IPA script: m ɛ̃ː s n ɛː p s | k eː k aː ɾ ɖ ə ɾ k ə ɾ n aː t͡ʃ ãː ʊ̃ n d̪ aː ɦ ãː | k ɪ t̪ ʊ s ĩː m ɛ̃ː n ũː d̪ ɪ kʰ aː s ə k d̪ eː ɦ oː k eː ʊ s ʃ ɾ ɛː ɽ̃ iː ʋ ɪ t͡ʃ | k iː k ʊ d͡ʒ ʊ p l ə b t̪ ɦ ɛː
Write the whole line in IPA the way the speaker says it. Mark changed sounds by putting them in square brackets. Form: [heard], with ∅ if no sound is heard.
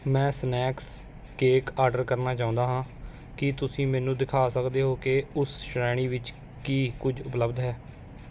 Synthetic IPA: m ɛ̃ː s n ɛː [k] s | k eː k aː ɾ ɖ ə ɾ k ə ɾ n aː t͡ʃ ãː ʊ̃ n d̪ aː ɦ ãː | k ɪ t̪ ʊ s ĩː m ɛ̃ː n ũː d̪ ɪ kʰ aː s ə k d̪ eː ɦ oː k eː ʊ s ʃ ɾ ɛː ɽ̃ iː ʋ ɪ t͡ʃ | k iː k ʊ d͡ʒ ʊ p l ə b [d̪] ɦ ɛː